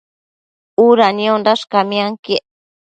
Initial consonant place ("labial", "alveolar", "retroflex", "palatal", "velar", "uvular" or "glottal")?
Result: alveolar